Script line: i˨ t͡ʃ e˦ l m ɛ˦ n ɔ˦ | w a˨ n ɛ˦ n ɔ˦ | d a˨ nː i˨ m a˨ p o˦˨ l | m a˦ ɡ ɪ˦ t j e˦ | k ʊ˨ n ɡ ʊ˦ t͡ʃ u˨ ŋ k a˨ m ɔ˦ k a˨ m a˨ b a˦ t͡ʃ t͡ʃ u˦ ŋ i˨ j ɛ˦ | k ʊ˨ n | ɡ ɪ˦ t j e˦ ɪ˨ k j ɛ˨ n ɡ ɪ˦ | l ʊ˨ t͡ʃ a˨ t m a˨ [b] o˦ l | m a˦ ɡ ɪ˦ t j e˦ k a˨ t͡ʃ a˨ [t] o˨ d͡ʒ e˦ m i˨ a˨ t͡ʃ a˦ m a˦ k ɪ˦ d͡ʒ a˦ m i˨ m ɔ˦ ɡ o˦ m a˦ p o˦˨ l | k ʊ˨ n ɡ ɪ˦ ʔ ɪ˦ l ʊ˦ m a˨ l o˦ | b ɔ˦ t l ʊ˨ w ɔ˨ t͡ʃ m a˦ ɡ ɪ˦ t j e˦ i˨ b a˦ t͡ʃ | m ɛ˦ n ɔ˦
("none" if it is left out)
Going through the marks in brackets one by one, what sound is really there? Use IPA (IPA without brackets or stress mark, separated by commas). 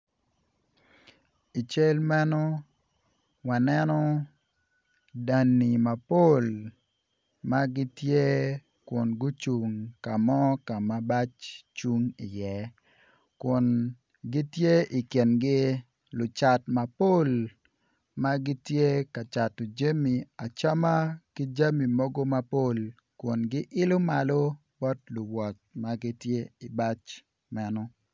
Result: p, t